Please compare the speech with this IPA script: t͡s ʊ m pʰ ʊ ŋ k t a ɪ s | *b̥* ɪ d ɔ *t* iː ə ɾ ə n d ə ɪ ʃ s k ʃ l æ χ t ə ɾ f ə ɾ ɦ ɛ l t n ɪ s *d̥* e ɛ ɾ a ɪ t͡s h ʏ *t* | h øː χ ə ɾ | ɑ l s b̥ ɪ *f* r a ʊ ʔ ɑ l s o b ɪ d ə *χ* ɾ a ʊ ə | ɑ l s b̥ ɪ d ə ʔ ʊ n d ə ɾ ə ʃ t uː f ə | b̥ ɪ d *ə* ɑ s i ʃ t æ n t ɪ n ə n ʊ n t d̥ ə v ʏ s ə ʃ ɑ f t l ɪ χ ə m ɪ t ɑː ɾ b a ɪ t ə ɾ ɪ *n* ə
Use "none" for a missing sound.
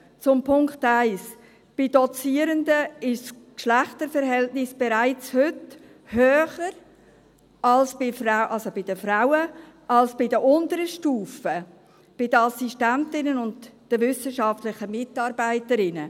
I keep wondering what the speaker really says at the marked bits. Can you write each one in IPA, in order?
b̥, t͡s, b̥, t, f, f, ə, n

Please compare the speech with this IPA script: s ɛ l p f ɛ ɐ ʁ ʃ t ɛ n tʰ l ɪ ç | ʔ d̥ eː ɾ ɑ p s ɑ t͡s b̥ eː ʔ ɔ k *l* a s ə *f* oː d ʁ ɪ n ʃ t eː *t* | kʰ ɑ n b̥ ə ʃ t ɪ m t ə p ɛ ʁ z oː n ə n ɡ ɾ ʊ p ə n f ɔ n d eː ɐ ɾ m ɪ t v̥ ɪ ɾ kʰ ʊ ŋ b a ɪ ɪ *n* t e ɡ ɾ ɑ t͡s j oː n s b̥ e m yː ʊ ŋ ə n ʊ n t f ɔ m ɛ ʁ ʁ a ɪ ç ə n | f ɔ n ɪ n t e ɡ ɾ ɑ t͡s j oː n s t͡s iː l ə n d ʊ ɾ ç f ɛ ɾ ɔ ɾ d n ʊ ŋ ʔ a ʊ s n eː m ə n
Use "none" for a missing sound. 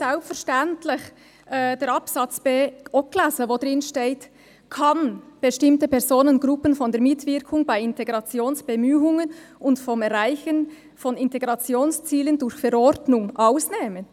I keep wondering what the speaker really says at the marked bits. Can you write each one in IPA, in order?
l, v, t, n

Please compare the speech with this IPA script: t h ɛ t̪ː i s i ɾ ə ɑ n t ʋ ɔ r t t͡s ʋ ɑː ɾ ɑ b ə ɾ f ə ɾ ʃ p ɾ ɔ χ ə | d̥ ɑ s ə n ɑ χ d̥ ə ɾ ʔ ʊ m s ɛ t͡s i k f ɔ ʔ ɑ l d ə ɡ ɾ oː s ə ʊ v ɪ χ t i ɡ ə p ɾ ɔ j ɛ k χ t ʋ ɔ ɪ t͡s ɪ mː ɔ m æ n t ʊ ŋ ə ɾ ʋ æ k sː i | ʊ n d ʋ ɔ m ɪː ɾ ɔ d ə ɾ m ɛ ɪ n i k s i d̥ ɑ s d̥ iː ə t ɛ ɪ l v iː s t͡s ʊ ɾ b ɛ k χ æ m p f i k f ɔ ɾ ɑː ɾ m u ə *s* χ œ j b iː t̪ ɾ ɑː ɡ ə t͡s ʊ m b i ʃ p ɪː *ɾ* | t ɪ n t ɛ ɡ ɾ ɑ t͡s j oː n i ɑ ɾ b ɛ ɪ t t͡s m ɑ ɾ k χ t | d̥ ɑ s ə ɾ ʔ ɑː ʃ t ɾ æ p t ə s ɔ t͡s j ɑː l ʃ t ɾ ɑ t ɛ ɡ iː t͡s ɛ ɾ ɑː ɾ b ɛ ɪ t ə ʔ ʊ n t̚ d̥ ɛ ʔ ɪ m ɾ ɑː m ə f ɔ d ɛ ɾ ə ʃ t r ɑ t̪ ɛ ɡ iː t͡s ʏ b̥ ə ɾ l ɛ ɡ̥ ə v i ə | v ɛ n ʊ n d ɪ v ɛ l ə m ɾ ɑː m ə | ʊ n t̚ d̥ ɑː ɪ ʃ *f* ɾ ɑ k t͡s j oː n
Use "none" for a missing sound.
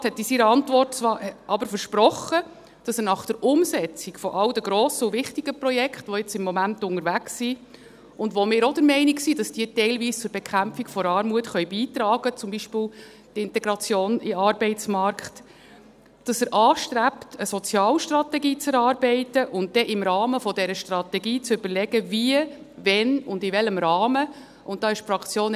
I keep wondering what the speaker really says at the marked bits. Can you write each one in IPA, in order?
t, l, f

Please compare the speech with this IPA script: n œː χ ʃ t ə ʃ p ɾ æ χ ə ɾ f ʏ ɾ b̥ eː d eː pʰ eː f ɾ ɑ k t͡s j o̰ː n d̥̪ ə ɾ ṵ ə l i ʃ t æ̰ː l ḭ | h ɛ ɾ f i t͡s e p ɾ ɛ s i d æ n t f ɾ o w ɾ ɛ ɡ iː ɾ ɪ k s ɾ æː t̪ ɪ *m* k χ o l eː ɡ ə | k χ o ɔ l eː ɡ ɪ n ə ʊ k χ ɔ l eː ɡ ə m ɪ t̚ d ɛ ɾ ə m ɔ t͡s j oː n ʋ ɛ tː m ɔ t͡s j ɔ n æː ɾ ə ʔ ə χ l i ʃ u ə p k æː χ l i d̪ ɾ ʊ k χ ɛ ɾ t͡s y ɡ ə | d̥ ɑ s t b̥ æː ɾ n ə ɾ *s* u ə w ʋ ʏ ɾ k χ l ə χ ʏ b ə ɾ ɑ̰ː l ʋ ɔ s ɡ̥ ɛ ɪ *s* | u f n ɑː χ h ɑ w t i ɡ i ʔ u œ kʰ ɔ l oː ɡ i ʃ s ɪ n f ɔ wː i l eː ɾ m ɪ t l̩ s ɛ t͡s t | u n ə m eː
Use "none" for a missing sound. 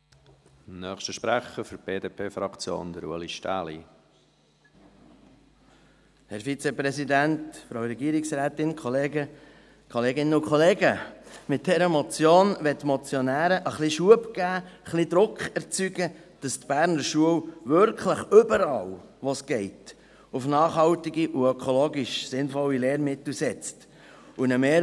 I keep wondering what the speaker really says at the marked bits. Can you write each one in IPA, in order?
n, ʃ, t

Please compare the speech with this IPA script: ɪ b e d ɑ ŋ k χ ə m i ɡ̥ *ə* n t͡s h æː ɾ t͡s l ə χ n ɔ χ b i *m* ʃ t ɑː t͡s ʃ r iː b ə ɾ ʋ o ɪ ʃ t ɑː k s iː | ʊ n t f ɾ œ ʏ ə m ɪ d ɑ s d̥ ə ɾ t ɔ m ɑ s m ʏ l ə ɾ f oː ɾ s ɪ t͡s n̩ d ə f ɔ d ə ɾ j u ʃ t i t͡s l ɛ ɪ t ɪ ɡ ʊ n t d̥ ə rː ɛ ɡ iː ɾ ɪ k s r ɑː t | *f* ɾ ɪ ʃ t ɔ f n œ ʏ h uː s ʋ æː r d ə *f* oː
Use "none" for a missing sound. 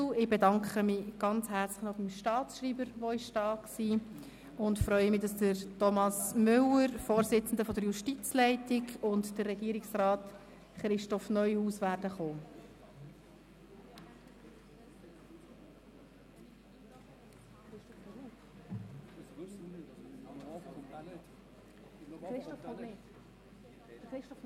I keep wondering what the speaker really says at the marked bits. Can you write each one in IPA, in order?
ɑ, m, χ, χ

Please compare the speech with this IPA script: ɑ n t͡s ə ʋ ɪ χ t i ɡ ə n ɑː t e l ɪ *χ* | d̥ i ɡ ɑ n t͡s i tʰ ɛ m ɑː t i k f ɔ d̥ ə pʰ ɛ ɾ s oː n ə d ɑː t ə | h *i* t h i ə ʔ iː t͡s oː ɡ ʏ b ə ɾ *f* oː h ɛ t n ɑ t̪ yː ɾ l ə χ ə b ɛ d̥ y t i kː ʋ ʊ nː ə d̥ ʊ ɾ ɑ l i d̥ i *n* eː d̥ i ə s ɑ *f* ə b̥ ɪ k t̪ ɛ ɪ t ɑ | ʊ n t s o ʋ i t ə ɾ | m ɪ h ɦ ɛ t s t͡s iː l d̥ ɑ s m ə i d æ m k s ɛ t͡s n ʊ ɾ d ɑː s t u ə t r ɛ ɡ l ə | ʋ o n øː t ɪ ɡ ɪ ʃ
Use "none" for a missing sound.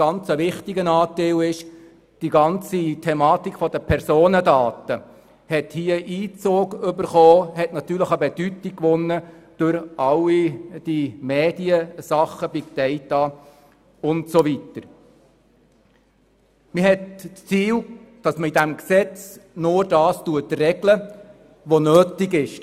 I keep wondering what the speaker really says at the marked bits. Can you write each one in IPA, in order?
ʃ, ɛ, χ, m, χ

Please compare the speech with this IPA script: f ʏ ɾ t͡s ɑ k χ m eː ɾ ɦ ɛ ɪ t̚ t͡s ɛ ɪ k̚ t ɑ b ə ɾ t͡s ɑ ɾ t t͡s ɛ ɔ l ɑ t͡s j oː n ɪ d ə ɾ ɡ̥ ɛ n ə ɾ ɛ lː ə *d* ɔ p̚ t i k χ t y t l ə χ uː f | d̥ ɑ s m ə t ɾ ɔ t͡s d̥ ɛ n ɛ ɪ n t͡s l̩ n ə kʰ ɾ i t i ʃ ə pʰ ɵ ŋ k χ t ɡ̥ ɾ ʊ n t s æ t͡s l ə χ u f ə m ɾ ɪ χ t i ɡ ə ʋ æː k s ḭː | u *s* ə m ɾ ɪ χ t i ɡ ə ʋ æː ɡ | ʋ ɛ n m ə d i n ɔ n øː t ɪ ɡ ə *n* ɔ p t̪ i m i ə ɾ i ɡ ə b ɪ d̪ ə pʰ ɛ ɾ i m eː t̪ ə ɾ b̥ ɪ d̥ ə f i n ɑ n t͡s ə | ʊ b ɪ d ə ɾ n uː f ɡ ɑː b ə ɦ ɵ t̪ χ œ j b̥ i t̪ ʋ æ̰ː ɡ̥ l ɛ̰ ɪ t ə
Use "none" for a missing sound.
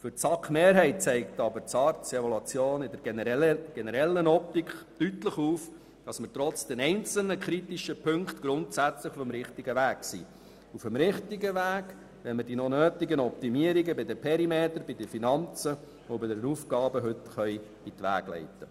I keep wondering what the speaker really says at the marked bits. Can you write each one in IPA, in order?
n, f, n

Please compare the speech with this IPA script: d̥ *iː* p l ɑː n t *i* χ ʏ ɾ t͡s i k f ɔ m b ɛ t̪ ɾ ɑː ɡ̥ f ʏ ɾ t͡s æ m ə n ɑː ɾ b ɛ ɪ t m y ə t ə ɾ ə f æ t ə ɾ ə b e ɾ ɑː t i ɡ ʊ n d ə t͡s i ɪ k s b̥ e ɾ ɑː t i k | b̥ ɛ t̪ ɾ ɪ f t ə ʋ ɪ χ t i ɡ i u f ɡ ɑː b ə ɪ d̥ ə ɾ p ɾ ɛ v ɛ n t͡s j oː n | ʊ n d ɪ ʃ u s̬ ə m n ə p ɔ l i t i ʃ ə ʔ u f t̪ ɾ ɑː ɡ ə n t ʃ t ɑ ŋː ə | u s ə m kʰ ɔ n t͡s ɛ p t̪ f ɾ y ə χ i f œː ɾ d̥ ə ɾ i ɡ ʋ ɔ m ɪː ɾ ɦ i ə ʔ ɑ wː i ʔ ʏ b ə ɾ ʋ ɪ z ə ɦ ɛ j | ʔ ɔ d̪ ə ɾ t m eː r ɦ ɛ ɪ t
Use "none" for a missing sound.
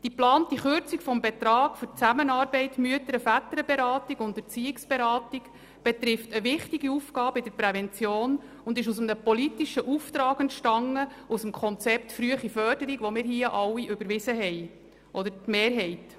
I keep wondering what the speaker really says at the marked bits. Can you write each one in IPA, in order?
i, i

